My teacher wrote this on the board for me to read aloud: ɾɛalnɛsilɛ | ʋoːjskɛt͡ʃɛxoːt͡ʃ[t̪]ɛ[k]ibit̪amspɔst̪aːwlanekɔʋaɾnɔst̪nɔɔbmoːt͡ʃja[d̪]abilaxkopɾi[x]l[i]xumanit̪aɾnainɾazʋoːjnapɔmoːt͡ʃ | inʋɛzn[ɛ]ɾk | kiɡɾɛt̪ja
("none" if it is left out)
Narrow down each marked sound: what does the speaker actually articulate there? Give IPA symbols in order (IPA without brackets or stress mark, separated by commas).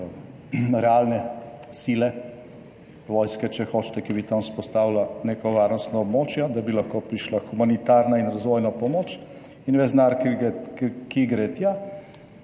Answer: t̪, k, d̪, ʃ, a, a